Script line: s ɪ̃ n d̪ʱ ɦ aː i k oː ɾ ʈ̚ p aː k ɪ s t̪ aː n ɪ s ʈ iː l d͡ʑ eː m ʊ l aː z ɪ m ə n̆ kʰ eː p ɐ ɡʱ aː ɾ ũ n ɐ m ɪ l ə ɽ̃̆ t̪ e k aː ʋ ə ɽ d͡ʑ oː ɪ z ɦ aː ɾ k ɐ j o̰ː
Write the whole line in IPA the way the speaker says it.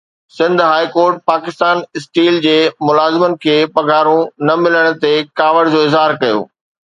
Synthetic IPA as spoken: s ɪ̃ n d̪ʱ ɦ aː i k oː ɾ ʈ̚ p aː k ɪ s t̪ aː n ɪ s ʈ iː l d͡ʑ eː m ʊ l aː z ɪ m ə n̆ kʰ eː p ɐ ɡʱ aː ɾ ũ n ɐ m ɪ l ə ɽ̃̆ t̪ e k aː ʋ ə ɽ d͡ʑ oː ɪ z ɦ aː ɾ k ɐ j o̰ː